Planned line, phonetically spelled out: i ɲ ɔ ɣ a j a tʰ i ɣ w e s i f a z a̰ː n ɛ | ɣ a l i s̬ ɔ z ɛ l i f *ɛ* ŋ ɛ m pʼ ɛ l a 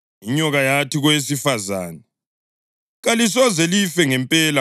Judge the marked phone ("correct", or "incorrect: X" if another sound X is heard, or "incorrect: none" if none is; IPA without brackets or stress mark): correct